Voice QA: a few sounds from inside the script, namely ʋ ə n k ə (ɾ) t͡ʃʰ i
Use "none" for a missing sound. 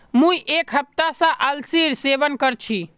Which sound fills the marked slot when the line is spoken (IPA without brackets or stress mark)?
ɾ